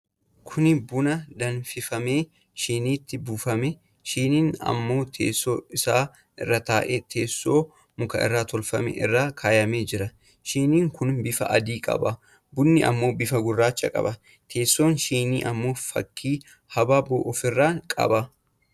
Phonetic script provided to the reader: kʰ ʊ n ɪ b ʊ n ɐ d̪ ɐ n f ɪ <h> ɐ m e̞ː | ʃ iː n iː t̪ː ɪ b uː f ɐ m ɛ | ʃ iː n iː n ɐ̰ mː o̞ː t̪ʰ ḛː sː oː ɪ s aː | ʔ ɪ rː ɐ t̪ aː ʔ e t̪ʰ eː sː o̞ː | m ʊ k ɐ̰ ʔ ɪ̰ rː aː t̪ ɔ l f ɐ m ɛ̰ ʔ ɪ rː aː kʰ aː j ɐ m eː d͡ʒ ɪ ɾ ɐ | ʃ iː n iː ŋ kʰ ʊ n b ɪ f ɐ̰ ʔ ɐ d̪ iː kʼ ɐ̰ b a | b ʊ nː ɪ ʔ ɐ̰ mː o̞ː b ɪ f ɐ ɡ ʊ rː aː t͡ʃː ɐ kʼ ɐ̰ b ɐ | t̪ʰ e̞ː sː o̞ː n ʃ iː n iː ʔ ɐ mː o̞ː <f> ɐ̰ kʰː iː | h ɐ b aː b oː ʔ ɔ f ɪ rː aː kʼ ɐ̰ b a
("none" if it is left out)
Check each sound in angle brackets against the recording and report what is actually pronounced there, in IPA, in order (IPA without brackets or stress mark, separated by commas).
f, f